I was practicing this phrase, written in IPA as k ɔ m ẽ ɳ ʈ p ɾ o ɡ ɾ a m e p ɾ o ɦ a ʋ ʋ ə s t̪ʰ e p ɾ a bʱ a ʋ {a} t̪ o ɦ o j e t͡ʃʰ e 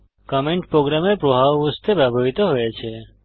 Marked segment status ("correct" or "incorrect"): incorrect